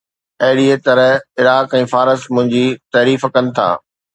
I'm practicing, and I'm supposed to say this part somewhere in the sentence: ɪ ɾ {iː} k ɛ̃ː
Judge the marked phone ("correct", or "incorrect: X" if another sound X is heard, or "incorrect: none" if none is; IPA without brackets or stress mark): incorrect: aː